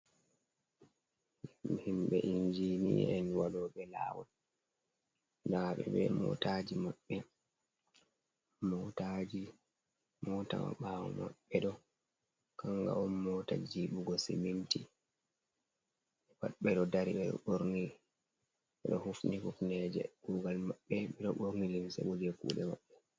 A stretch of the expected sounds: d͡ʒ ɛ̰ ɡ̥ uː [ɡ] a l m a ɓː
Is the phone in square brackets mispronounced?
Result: no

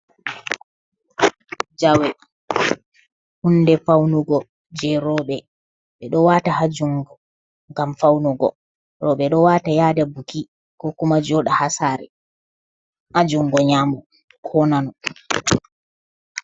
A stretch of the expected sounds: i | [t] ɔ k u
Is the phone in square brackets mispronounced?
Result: yes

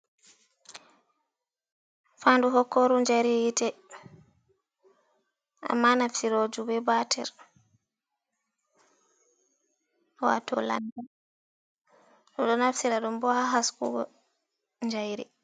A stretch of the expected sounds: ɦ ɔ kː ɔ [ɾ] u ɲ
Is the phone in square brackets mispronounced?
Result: no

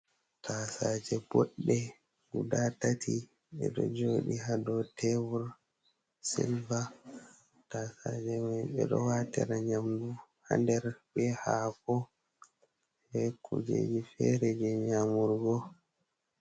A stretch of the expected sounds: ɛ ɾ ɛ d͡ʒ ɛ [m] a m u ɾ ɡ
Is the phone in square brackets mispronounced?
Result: yes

